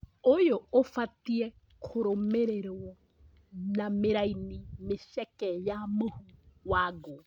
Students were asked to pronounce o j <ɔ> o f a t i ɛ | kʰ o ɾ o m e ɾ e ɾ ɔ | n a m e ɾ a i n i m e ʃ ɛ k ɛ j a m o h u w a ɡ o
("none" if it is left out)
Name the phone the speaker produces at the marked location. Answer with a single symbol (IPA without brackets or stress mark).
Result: o